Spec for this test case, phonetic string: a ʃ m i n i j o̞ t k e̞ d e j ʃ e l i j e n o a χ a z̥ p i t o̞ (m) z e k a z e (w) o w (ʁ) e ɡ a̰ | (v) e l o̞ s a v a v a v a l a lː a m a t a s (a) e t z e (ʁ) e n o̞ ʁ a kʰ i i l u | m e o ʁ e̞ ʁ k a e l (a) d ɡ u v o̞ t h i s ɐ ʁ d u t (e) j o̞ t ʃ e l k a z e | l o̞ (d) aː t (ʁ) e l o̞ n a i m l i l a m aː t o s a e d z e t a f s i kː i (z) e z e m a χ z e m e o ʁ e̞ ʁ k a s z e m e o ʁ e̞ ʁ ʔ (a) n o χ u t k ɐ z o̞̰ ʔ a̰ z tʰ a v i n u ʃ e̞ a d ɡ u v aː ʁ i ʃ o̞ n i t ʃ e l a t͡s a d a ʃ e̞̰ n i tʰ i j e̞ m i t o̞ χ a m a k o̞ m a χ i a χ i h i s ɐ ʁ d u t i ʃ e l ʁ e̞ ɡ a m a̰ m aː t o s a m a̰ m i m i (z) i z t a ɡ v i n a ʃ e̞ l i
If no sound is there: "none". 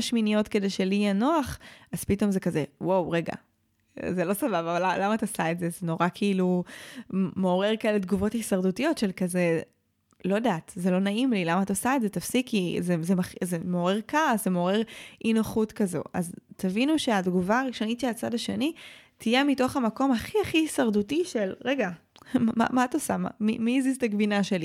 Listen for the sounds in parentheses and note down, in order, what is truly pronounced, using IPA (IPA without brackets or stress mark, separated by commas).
m, w, ʁ, z, a, z, e, i, d, z, z, i, z